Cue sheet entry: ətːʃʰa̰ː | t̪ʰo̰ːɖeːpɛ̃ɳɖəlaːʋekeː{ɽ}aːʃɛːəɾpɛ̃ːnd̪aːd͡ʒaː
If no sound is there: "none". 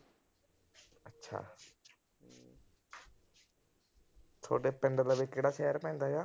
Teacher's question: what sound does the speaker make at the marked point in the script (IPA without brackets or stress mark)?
ɽ